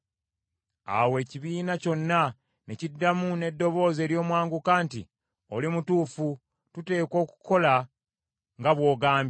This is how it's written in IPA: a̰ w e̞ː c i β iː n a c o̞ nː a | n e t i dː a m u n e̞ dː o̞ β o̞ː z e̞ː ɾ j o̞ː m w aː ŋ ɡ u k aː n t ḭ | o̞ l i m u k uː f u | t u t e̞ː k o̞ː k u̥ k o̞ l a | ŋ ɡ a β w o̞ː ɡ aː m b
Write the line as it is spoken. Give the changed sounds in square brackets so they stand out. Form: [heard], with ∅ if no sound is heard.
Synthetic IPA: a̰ w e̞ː c i β iː n a c o̞ nː a | n e [c] i dː a m u n e̞ dː o̞ β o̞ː z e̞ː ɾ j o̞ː m w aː ŋ ɡ u k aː n t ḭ | o̞ l i m u [t] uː f u | t u t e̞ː k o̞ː k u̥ k o̞ l a | ŋ ɡ a β w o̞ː ɡ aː m b